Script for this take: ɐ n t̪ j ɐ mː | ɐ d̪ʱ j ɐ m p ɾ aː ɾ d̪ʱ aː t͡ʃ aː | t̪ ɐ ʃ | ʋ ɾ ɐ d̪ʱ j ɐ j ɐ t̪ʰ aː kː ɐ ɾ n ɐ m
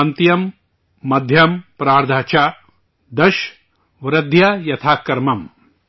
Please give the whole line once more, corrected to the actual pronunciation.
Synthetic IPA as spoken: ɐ n t̪ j ɐ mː | ɐ d̪ʱ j ɐ m p ɾ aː ɾ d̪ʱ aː t͡ʃ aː | d̪ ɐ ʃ | ʋ ɾ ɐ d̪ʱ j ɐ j ɐ t̪ʰ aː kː ɐ ɾ m ɐ m